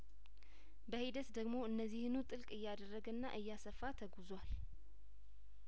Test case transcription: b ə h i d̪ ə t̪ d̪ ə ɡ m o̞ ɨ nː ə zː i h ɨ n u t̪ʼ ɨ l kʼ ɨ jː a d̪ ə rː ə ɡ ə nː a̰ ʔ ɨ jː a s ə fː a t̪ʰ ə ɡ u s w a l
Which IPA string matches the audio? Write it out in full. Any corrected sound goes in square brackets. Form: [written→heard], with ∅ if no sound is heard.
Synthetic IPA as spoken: b ə h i d̪ ə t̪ d̪ ə ɡ m o̞ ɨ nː ə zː i h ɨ n u t̪ʼ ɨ l kʼ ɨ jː a d̪ ə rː ə ɡ ə nː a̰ ʔ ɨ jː a s ə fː a t̪ʰ ə ɡ u [s→z] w a l